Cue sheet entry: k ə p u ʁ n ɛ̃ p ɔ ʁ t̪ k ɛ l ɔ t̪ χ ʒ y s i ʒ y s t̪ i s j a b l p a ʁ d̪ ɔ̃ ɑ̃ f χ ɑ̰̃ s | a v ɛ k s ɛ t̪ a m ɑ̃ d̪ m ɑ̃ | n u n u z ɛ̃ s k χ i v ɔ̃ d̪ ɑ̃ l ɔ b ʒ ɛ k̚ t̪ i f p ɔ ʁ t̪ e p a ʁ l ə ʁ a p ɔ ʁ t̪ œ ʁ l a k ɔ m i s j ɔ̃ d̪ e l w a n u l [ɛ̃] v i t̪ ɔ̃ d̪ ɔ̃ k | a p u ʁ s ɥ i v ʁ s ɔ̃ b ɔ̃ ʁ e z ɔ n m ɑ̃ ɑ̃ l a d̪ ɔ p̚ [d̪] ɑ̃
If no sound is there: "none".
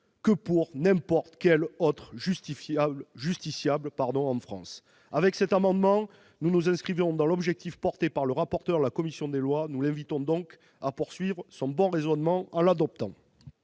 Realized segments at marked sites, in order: ɛ̃, t̪

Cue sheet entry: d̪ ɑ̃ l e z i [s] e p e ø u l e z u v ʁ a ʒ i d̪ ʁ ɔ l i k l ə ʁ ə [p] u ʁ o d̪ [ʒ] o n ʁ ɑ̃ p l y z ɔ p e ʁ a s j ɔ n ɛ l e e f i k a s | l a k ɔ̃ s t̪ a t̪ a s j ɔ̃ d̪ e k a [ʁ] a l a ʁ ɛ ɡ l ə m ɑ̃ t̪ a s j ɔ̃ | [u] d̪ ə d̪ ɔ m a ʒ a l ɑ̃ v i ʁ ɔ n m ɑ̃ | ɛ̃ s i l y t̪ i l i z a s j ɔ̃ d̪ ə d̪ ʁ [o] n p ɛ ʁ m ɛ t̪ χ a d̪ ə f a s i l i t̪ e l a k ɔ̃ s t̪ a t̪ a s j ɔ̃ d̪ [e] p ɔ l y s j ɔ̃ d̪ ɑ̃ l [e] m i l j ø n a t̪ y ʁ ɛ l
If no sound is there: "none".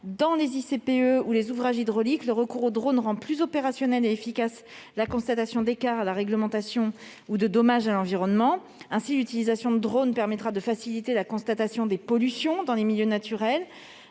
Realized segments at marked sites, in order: s, k, ʁ, ʁ, u, o, e, e

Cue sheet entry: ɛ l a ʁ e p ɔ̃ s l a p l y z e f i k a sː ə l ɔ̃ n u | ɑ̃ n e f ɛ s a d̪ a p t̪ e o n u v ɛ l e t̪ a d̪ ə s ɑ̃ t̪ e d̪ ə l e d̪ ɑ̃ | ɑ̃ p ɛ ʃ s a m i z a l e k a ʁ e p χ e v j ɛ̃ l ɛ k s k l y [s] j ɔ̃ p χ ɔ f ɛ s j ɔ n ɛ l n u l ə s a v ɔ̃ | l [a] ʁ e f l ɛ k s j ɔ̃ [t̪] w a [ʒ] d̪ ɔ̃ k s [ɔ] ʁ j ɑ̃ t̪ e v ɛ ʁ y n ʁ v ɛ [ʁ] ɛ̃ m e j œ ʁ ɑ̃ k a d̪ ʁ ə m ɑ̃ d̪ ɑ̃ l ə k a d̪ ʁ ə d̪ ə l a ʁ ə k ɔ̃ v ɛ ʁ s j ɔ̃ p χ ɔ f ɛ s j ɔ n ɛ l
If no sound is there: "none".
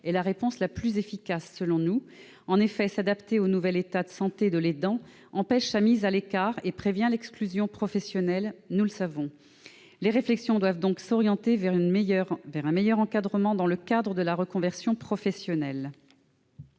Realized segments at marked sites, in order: z, e, d̪, v, ɔ, ʁ

